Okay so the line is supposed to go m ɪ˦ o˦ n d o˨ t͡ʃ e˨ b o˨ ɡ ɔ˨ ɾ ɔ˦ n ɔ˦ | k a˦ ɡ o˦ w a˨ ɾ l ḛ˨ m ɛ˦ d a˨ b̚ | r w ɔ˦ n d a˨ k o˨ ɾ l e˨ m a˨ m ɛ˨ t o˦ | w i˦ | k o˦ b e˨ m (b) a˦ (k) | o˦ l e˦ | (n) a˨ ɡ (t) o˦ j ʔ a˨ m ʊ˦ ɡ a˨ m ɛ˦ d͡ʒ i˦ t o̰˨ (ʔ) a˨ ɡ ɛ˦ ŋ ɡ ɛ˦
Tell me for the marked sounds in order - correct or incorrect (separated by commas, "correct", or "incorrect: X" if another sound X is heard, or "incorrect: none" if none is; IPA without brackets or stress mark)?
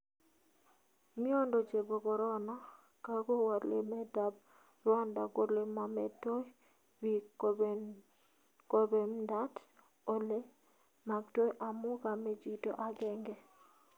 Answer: incorrect: d, incorrect: t, incorrect: m, correct, correct